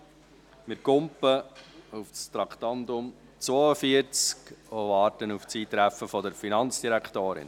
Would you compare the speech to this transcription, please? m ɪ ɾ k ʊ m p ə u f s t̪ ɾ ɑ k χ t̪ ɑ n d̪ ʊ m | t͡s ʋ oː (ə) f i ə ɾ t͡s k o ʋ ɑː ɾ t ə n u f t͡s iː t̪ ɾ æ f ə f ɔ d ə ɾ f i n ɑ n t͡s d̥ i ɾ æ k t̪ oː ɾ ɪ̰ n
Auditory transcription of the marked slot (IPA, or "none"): ə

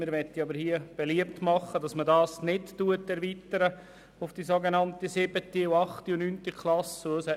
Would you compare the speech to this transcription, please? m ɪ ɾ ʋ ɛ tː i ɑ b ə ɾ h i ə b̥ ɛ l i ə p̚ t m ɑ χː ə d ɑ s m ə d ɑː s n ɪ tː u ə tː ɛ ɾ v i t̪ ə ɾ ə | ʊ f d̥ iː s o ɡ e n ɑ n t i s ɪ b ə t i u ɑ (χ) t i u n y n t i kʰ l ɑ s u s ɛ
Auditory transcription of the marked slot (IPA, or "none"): χ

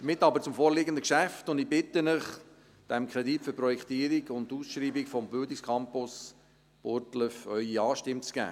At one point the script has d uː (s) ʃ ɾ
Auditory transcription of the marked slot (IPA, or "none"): s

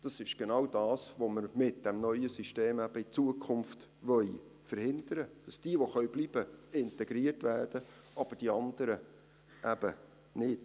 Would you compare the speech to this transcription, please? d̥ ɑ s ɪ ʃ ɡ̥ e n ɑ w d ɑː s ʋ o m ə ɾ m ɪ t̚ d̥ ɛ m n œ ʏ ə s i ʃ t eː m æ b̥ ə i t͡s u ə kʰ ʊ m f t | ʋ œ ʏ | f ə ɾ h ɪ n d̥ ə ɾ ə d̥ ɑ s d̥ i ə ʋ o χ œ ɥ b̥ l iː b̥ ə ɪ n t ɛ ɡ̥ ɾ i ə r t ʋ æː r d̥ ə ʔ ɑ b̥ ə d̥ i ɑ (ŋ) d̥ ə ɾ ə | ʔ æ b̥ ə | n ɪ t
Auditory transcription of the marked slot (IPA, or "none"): n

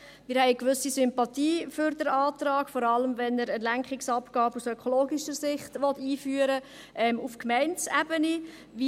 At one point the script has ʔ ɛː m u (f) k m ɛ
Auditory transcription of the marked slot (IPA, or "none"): f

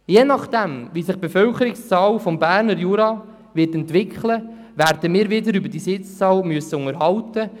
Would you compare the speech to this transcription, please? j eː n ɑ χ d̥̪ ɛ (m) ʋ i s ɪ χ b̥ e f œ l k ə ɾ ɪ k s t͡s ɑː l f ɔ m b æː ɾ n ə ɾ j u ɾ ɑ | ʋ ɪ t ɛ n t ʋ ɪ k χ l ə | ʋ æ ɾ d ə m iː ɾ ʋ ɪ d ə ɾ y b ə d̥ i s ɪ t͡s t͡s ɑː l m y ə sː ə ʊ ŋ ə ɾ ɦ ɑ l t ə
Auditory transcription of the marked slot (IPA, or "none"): m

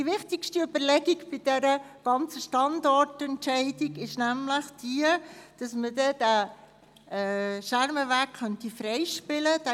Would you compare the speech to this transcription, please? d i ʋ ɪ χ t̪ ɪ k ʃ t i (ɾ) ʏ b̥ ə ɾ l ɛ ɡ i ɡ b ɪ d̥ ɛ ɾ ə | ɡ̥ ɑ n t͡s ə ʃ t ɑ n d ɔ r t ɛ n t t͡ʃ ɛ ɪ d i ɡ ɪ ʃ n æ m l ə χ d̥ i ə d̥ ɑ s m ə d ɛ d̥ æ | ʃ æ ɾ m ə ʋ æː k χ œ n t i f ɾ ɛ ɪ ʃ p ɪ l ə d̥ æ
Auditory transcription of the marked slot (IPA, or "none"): none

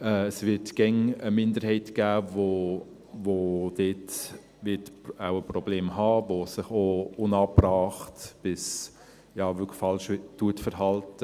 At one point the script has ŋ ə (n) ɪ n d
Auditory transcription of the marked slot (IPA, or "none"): m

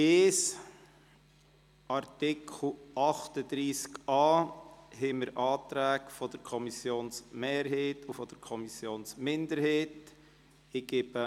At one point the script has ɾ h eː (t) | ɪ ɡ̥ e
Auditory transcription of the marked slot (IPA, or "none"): t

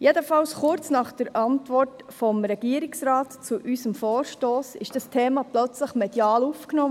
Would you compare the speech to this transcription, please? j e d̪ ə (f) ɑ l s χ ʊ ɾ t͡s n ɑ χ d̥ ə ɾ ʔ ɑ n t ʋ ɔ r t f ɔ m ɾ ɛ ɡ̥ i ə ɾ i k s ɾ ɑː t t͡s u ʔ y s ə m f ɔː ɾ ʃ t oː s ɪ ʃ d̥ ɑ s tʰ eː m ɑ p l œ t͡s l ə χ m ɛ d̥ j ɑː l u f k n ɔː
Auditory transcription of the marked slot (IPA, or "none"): f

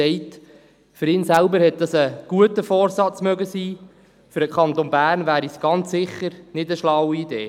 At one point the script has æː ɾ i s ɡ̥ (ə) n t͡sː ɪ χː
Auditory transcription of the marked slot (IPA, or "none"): ɑ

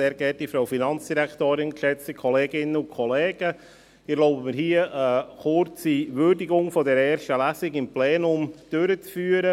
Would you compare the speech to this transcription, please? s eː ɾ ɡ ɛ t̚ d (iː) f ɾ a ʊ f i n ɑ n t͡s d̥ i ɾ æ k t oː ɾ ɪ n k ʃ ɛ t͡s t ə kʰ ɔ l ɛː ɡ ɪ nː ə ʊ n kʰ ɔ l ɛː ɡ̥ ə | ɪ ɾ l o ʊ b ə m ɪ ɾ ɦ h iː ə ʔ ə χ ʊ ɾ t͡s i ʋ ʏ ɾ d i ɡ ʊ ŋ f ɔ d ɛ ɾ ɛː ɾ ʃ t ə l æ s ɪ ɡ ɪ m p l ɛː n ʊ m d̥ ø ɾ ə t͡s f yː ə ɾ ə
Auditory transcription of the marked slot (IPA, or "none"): i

